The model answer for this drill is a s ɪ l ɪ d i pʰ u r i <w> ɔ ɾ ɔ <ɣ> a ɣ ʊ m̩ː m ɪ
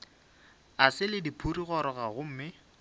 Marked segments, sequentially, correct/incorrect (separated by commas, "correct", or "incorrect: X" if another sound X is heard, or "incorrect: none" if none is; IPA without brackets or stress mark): incorrect: ɣ, correct